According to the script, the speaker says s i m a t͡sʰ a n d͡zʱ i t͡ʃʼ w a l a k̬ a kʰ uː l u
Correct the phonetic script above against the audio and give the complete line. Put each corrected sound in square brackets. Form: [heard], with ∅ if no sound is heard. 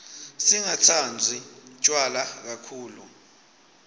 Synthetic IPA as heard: s i [ŋ] a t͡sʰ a n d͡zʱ i t͡ʃʼ w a l a k̬ a kʰ uː l u